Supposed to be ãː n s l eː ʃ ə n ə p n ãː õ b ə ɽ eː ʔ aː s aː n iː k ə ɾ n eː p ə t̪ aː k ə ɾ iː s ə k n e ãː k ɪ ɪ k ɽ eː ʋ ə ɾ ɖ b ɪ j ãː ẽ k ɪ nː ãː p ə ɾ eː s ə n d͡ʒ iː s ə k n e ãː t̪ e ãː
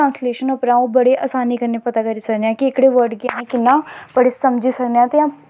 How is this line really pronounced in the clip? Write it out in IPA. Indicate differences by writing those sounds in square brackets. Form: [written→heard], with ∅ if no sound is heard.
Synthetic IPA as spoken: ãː n s l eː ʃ ə n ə p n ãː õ b ə ɽ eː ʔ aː s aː n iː k ə ɾ n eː p ə t̪ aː k ə ɾ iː s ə k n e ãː k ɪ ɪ k ɽ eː ʋ ə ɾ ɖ [b→ɡ] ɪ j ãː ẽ k ɪ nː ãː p ə [ɾ→ɽ] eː s ə [n→m] d͡ʒ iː s ə k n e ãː t̪ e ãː